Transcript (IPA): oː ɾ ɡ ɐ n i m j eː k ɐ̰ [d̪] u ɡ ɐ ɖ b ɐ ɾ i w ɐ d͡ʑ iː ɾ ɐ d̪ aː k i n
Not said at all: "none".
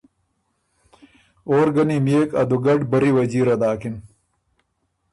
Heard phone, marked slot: d̪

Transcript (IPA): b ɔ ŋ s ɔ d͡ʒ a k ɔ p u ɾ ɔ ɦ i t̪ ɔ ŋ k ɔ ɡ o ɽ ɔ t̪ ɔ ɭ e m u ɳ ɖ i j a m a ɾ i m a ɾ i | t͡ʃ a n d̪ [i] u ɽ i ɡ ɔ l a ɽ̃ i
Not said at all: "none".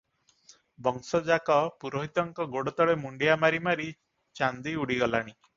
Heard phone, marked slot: i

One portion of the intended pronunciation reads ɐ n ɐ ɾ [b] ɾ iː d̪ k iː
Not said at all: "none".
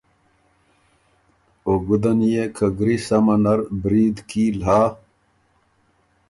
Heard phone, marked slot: b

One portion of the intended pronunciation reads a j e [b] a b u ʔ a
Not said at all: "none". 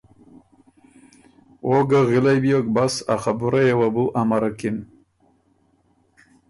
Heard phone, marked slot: w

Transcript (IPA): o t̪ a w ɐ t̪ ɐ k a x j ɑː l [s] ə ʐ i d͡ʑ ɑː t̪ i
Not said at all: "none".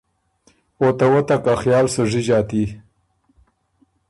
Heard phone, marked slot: s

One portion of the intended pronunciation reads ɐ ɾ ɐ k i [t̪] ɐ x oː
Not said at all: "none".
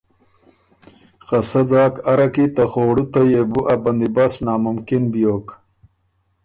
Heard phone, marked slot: t̪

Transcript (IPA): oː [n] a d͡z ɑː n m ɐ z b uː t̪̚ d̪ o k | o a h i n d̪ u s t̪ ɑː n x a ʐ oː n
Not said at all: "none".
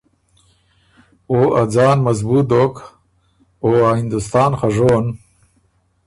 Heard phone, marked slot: none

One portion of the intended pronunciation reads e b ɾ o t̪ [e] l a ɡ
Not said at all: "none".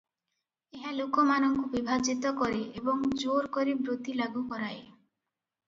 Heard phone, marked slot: i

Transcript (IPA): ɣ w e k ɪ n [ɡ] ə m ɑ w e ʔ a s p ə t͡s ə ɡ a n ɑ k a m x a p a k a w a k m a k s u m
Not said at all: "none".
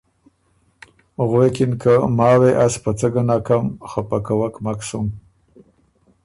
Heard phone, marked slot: k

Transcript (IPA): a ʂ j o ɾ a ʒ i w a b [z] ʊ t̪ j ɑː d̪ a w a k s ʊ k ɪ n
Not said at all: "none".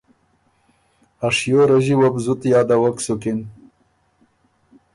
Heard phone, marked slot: z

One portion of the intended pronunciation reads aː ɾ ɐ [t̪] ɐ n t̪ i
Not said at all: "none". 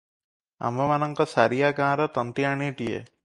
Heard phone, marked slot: t̪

